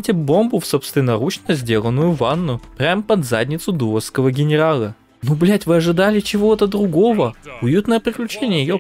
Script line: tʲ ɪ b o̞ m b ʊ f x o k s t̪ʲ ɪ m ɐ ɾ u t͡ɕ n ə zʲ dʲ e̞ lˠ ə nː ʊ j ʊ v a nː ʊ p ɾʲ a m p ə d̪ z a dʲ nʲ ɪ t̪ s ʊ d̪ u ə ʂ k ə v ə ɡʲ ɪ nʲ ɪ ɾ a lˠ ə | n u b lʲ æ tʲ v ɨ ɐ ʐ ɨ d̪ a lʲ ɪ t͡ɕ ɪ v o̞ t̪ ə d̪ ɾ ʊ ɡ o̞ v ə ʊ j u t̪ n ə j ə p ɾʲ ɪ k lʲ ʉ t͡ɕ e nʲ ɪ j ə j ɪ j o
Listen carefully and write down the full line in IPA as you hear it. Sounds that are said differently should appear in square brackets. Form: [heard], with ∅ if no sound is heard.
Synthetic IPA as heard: tʲ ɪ b o̞ m b ʊ f [s] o [p] s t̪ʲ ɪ [n] ɐ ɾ u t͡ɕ n ə zʲ dʲ e̞ lˠ ə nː ʊ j ʊ v a nː ʊ p ɾʲ a m p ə d̪ z a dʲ nʲ ɪ t̪ s ʊ d̪ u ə [s] k ə v ə ɡʲ ɪ nʲ ɪ ɾ a lˠ ə | n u b lʲ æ tʲ v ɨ ɐ ʐ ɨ d̪ a lʲ ɪ t͡ɕ ɪ v o̞ t̪ ə d̪ ɾ ʊ ɡ o̞ v ə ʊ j u t̪ n ə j ə p ɾʲ ɪ k lʲ ʉ t͡ɕ e nʲ ɪ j ə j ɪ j o